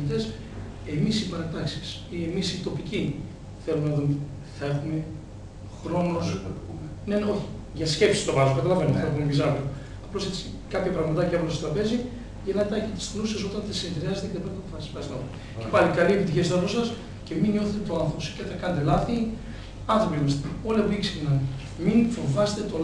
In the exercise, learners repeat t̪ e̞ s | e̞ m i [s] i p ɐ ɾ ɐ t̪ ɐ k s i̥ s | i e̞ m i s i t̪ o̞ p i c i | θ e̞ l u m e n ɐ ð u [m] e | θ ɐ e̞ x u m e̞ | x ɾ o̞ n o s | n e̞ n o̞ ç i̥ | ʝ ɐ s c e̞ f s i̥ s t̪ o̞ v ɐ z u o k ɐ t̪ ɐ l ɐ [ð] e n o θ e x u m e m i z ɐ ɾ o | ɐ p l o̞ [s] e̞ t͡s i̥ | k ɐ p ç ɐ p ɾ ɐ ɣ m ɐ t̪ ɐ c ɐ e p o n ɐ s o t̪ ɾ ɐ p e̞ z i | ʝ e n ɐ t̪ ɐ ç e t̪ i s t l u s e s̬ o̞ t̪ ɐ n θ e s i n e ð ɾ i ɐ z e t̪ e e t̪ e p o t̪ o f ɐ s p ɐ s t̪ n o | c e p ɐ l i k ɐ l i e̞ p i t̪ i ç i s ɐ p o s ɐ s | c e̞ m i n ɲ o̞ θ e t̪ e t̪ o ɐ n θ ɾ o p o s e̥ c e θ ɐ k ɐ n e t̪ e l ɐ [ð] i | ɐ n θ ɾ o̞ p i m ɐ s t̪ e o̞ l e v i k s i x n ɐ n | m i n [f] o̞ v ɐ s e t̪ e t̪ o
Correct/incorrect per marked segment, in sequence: correct, correct, incorrect: v, correct, incorrect: θ, correct

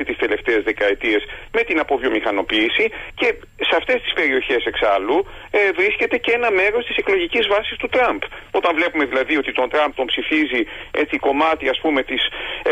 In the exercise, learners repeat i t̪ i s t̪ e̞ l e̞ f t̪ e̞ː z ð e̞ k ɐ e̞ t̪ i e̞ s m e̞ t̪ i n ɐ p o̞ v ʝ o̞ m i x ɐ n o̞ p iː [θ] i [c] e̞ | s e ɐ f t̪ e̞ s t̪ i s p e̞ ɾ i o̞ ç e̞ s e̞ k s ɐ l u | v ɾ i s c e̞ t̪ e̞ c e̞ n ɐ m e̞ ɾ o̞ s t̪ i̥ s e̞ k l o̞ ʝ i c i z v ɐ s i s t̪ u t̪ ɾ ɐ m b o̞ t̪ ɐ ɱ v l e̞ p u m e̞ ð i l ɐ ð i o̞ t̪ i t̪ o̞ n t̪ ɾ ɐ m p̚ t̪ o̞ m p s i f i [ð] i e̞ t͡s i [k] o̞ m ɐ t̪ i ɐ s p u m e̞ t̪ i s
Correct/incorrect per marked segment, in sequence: incorrect: s, correct, incorrect: z, correct

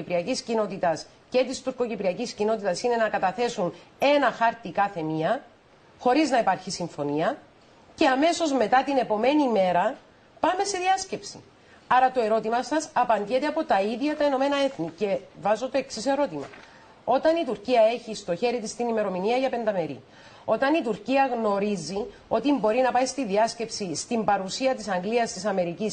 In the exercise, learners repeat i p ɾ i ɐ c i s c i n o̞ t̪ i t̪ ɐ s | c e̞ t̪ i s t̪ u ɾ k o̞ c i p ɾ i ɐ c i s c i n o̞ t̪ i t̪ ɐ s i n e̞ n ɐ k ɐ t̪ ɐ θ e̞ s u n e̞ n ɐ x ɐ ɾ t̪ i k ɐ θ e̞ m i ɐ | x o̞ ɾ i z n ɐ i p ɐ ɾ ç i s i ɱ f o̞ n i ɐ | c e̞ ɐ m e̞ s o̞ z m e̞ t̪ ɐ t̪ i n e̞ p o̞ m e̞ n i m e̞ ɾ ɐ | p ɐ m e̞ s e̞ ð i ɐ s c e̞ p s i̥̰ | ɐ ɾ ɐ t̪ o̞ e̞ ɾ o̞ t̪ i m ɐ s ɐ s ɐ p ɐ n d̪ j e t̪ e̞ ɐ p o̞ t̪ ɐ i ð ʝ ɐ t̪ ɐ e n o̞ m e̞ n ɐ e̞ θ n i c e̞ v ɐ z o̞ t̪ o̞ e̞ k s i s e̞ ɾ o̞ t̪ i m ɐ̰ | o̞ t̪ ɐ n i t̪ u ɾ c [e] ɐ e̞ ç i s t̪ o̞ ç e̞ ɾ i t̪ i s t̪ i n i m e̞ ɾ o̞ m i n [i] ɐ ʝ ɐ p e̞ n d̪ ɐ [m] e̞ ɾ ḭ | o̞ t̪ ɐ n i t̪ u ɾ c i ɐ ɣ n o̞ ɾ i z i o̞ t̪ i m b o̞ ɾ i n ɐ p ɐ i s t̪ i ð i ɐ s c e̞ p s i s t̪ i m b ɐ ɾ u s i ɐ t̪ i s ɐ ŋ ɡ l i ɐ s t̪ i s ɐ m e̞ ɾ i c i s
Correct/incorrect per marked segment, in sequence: incorrect: i, correct, correct

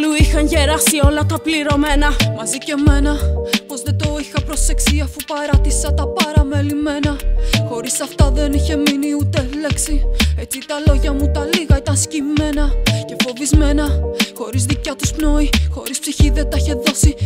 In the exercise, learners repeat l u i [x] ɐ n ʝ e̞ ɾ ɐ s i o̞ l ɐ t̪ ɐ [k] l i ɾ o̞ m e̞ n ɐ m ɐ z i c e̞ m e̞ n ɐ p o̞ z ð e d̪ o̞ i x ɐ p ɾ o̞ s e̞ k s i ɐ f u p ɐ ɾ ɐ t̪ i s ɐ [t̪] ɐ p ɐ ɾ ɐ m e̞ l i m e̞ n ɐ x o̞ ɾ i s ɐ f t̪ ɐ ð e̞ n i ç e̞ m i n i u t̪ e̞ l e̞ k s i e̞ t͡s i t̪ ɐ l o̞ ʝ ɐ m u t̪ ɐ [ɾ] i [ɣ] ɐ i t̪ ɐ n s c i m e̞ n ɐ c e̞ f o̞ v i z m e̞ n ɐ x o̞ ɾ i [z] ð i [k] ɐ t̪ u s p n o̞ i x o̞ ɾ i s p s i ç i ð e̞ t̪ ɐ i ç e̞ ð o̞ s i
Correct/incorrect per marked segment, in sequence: correct, incorrect: p, correct, incorrect: l, correct, correct, incorrect: c

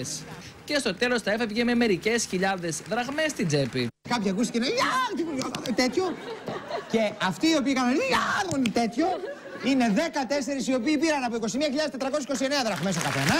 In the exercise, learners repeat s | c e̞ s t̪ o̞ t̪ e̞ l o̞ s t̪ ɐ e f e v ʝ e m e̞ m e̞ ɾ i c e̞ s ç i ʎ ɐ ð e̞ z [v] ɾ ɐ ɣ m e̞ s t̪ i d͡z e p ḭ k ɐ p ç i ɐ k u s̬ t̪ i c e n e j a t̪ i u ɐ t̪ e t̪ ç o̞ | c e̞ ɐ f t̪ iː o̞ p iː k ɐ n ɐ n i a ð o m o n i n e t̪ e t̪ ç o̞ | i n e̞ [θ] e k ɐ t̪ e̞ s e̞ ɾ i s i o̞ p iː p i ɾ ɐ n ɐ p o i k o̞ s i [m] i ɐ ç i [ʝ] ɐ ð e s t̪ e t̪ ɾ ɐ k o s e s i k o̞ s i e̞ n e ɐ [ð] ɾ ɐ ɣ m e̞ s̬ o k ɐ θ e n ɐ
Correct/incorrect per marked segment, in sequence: incorrect: ð, incorrect: ð, correct, incorrect: ʎ, correct

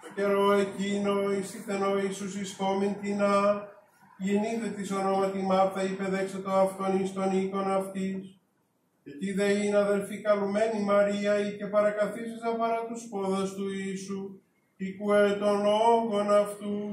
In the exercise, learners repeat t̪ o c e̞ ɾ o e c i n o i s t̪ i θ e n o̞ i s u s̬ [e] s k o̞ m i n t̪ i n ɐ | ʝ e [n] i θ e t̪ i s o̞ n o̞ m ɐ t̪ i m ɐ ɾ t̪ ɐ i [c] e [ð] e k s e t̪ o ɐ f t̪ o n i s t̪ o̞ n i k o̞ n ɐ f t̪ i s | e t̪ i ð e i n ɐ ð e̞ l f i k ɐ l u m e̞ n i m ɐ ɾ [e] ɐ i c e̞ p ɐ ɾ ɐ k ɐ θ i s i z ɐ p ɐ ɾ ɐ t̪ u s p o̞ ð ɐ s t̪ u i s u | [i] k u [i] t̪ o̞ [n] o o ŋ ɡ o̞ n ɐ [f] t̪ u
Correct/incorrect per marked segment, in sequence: incorrect: i, correct, incorrect: p, correct, incorrect: i, correct, incorrect: e, correct, correct

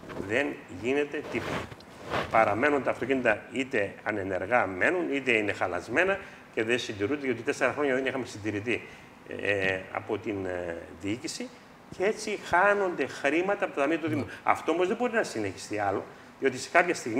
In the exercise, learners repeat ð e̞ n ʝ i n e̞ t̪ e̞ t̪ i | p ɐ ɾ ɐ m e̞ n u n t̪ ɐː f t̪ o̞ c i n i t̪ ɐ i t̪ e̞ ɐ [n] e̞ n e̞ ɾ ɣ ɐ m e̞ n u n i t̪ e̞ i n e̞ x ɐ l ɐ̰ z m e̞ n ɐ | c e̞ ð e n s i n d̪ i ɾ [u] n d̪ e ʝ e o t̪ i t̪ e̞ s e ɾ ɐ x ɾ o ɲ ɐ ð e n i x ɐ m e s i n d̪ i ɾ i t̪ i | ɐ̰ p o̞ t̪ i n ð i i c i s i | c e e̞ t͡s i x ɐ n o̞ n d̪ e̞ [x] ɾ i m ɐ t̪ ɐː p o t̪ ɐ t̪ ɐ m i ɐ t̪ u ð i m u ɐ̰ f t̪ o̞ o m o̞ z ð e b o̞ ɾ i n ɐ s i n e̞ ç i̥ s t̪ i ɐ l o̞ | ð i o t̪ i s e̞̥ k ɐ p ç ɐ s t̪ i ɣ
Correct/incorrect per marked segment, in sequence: correct, correct, correct

